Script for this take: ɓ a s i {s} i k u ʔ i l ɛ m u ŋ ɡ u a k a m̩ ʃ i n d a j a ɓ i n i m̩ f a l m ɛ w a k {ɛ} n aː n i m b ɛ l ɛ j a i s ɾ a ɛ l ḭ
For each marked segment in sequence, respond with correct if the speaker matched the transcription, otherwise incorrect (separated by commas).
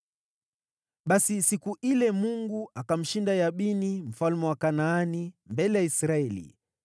correct, incorrect